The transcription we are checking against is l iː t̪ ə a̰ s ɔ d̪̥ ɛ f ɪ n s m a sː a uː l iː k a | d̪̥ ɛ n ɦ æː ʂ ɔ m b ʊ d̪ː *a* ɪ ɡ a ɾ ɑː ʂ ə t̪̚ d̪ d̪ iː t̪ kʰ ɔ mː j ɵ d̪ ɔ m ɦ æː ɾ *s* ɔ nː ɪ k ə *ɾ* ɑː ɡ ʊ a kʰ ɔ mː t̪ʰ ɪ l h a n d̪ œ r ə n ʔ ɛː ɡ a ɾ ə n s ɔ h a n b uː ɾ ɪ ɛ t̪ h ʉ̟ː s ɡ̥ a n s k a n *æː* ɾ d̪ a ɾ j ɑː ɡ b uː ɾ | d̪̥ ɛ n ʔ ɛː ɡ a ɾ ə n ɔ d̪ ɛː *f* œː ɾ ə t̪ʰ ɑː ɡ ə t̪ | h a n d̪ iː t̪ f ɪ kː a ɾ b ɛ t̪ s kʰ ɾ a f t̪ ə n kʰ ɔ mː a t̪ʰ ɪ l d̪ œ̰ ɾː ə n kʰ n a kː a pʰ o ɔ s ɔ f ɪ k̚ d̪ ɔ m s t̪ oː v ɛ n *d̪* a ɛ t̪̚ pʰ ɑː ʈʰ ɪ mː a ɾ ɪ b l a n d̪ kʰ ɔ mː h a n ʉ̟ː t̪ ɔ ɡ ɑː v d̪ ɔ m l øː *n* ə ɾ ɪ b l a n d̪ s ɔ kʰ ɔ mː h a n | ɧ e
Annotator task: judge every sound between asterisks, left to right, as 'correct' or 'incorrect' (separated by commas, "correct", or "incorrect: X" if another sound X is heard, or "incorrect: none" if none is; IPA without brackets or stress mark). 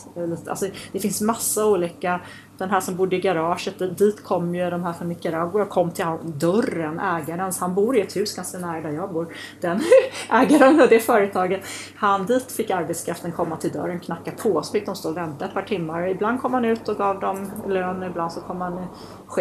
incorrect: ə, incorrect: f, correct, correct, correct, incorrect: t̪, correct